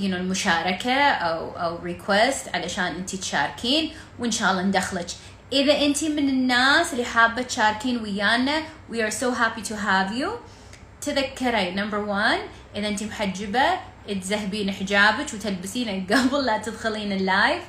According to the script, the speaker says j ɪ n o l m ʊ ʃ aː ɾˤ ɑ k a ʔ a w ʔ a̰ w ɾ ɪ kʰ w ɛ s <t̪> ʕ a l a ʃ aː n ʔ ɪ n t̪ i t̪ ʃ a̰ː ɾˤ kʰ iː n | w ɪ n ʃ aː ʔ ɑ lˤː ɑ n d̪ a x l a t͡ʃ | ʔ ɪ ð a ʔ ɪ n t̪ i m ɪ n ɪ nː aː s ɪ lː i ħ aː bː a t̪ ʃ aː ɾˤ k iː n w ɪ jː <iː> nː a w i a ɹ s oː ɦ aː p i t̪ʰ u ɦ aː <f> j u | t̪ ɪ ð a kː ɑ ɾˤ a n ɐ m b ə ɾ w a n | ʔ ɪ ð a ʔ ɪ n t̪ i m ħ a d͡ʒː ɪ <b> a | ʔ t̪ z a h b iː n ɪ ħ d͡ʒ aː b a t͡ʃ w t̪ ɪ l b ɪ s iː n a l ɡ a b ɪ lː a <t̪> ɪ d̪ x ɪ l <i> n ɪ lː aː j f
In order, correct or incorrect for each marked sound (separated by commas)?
correct, incorrect, incorrect, correct, correct, incorrect